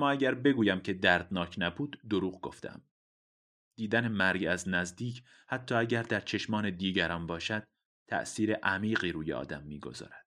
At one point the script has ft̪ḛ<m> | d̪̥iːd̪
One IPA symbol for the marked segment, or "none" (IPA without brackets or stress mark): m